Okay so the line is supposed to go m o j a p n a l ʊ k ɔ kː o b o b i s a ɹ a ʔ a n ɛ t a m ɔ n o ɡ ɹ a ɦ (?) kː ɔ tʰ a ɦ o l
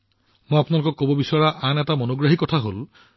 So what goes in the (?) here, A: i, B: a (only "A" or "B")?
A